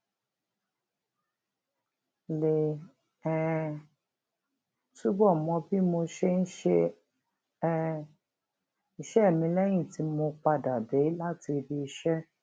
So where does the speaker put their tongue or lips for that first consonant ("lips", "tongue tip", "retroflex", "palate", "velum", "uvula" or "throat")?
tongue tip